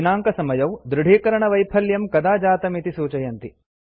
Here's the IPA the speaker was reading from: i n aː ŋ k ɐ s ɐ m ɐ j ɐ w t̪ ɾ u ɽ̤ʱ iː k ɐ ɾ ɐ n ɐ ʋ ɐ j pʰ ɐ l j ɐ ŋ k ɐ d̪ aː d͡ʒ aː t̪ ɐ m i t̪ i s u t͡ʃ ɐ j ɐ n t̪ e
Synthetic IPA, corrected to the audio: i n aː ŋ k ɐ s ɐ m ɐ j ɐ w d̪ ɾ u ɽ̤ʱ iː k ɐ ɾ ɐ ɳ ɐ ʋ ɐ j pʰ ɐ l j ɐ m k ɐ d̪ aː d͡ʒ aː t̪ ɐ m i t̪ i s uː t͡ʃ ɐ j ɐ n t̪ i